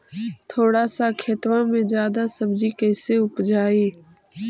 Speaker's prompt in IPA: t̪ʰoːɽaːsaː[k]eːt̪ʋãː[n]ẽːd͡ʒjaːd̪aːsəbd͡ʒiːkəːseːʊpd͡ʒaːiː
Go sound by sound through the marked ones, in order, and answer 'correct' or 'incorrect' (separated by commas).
incorrect, incorrect